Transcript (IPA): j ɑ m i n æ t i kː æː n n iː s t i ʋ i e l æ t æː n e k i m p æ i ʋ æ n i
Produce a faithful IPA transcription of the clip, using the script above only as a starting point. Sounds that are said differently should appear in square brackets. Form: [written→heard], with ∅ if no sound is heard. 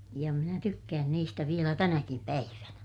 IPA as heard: j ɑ m i n æ t [i→y] kː æː n n iː s t [i→æ] ʋ i e l æ t [æː→æ] n [e→æ] k i m p æ i ʋ æ n [i→æ]